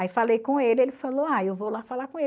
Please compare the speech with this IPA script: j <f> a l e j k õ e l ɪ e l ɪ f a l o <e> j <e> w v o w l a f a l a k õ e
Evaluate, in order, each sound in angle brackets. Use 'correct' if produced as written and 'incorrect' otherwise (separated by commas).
correct, incorrect, correct